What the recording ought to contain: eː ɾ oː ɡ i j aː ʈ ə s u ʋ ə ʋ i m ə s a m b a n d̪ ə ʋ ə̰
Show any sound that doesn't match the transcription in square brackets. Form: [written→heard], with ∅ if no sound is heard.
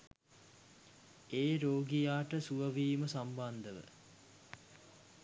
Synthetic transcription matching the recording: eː ɾ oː ɡ i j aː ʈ ə s u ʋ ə ʋ [i→iː] m ə s a m b a n d̪ ə ʋ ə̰